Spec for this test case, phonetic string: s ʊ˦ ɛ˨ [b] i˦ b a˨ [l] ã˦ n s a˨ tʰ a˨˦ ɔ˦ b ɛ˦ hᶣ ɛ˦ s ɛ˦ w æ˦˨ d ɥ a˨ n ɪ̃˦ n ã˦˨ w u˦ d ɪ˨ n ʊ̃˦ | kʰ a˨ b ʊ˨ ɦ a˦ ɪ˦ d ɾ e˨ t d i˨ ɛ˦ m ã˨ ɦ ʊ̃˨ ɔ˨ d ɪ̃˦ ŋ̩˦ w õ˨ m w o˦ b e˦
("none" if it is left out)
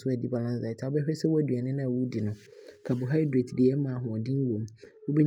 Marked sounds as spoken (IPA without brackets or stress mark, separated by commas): d, l